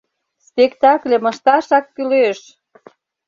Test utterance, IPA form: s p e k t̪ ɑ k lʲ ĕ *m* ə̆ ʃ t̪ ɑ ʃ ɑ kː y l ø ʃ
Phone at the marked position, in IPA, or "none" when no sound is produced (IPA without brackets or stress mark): m